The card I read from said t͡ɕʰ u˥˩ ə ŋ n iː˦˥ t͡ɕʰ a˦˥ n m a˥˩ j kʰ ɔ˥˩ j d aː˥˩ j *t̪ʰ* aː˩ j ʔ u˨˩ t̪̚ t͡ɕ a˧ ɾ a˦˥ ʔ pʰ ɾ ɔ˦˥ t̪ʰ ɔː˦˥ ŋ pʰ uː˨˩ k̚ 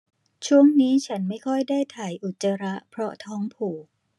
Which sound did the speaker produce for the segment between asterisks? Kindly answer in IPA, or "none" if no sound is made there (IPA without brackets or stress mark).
t̪ʰ